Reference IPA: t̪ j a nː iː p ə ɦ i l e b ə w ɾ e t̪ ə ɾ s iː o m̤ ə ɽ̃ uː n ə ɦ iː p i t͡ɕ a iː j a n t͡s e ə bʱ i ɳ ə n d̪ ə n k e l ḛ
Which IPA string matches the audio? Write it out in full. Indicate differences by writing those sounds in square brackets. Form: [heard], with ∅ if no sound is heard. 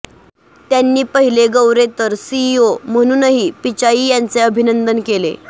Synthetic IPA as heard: t̪ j a nː iː p ə ɦ i l e [ɡ] ə w ɾ e t̪ ə ɾ s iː o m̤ ə ɽ̃ uː n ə ɦ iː p i t͡ɕ a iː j a n t͡s e ə bʱ i [n] ə n d̪ ə n k e l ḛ